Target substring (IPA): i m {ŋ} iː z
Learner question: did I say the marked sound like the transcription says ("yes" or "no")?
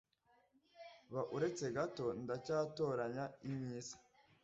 no